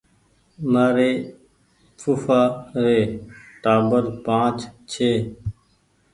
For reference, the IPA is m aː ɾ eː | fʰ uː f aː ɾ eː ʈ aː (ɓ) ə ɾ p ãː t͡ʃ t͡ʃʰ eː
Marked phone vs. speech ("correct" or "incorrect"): incorrect